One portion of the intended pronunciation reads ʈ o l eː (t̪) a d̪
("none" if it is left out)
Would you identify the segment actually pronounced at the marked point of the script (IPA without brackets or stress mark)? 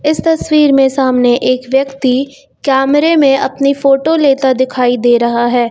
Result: t̪